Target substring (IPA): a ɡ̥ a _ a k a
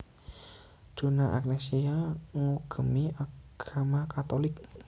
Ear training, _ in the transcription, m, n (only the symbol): m